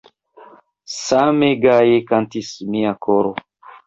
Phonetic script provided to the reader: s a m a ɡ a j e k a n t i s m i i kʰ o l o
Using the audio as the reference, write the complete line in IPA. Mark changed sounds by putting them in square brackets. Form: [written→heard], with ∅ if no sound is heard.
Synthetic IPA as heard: s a m [a→e] ɡ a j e k a n t i s m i [i→a] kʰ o [l→ɾ] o